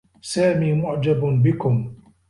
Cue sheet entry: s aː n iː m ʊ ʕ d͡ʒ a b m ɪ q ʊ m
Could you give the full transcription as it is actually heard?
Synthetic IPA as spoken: s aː m iː m ʊ ʕ d͡ʒ a b b ɪ k ʊ m